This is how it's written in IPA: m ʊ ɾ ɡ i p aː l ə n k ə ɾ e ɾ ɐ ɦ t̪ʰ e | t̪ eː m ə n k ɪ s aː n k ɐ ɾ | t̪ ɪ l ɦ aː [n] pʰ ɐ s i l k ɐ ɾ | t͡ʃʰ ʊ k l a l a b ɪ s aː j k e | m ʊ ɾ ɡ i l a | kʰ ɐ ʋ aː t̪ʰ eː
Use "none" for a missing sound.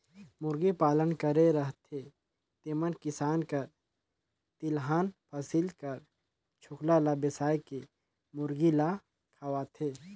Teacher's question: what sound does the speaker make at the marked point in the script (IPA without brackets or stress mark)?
n